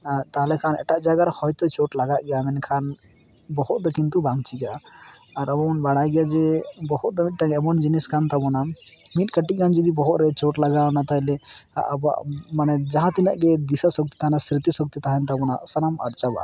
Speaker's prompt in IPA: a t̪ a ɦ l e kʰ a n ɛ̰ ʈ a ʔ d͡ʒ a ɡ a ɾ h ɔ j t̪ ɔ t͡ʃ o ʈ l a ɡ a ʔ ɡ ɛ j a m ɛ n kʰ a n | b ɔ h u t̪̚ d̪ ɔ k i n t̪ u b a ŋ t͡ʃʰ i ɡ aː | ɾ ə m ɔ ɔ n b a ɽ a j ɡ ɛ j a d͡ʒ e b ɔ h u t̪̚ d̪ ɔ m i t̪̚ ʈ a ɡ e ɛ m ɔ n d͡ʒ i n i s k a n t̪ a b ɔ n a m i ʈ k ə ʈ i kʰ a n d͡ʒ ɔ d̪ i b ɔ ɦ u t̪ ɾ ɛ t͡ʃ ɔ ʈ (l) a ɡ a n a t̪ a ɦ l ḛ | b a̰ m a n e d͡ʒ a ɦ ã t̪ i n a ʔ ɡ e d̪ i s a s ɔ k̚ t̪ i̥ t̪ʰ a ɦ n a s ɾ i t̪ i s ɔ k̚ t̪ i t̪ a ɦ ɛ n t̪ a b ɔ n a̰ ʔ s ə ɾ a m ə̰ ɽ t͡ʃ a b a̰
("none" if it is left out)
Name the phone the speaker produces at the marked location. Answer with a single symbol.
l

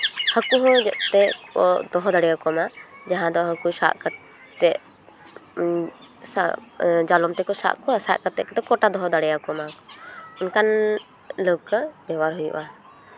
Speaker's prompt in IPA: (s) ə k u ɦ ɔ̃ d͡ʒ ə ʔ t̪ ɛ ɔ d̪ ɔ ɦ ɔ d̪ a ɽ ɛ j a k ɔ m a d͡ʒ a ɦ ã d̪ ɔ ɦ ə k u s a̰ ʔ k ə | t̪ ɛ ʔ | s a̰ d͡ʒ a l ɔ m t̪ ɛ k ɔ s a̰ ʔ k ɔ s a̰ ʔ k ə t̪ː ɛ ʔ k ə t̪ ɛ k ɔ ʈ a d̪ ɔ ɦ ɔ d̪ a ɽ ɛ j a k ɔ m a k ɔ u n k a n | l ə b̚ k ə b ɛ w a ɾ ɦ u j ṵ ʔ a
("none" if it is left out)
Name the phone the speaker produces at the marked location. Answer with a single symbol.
h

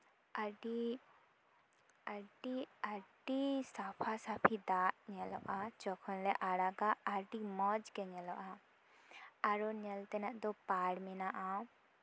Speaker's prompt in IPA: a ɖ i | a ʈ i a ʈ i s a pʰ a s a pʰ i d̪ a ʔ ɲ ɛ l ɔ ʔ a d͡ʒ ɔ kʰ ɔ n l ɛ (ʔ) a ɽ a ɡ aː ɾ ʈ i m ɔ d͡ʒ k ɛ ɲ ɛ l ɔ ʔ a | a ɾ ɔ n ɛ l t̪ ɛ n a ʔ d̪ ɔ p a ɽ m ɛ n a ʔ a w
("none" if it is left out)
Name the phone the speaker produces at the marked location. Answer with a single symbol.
ʔ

